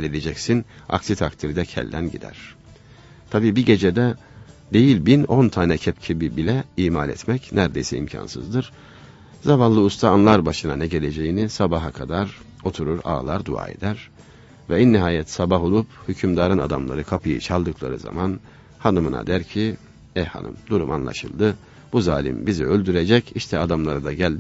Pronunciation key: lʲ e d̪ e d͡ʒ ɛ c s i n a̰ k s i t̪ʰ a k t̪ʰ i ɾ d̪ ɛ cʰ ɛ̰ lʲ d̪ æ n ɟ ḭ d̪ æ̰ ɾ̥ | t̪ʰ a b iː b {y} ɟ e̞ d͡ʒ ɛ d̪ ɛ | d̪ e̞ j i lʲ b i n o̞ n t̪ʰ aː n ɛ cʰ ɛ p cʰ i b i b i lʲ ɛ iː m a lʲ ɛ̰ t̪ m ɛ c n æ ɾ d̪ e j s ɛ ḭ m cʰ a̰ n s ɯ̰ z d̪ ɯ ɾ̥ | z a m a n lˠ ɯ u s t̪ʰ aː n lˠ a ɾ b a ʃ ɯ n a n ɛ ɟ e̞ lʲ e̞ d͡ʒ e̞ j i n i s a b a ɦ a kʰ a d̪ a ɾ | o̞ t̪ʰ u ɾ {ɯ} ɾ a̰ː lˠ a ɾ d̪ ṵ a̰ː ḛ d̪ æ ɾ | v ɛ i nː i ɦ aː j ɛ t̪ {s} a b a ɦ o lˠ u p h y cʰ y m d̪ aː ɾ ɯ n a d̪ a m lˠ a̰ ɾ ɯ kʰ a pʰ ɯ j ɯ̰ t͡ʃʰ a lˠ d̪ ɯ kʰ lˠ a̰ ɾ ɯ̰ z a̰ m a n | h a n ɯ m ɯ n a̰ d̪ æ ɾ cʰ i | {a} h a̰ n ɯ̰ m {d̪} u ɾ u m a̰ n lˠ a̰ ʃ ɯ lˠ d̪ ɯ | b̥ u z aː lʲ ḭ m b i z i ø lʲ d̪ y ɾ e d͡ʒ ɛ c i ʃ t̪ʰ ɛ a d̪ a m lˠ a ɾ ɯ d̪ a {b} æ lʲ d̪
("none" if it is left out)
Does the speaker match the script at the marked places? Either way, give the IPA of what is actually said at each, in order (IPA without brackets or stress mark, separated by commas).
i, u, s, ɛ, d̪, ɟ